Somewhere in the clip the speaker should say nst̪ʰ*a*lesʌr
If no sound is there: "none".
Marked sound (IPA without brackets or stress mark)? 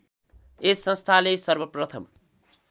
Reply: a